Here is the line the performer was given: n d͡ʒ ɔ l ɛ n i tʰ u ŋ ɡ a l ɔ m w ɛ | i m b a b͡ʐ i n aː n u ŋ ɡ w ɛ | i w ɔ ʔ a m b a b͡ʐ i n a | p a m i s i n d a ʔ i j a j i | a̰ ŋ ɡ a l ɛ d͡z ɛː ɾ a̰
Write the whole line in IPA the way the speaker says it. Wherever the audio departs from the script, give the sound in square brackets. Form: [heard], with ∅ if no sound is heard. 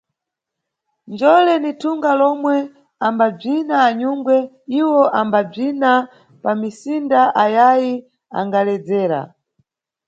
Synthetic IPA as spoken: n d͡ʒ ɔ l ɛ n i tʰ u ŋ ɡ a l ɔ m w ɛ | [a] m b a b͡ʐ i n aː [ɲ] u ŋ ɡ w ɛ | i w ɔ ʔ a m b a b͡ʐ i n a | p a m i s i n d a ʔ [a] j a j i | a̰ ŋ ɡ a l ɛ d͡z ɛː ɾ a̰